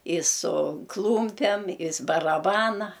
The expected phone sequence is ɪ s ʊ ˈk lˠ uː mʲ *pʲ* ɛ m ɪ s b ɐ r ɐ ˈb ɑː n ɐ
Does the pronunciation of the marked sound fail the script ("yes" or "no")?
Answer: no